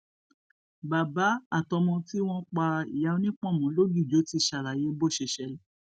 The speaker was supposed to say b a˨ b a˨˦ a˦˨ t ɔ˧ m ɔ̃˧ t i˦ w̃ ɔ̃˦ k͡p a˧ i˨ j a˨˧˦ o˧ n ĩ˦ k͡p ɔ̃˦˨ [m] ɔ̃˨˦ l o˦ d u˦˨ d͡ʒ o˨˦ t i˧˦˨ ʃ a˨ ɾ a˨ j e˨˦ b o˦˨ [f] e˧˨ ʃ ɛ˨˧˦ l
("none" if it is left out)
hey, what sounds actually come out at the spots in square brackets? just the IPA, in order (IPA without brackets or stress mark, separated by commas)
m, ʃ